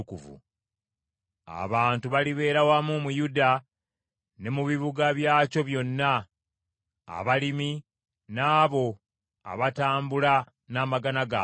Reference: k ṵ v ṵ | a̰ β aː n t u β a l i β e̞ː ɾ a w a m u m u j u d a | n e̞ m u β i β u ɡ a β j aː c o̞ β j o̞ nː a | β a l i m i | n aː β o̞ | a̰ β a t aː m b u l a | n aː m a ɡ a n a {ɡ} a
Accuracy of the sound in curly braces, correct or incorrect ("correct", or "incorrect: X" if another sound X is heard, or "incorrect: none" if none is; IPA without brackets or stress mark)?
correct